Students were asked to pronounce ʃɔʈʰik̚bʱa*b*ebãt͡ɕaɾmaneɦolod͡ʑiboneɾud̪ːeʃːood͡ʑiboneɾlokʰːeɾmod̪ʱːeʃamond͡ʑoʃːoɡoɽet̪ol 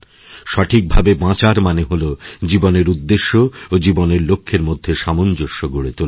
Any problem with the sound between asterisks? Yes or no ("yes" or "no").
no